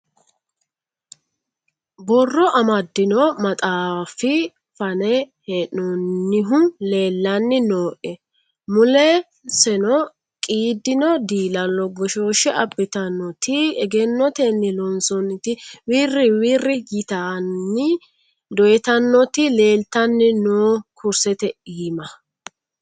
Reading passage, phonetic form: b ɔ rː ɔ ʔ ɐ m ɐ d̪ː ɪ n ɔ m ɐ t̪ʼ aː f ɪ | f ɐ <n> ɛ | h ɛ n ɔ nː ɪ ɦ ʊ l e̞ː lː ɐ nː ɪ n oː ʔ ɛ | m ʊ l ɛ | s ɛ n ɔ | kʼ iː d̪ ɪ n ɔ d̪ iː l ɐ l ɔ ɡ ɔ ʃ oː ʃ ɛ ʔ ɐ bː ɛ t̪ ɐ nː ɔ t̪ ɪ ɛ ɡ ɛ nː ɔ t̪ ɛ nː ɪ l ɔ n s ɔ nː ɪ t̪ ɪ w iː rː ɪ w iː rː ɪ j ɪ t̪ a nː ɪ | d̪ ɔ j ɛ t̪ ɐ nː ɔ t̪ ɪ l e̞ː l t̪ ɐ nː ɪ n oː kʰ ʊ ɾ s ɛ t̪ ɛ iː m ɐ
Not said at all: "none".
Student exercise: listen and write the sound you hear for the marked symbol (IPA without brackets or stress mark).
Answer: n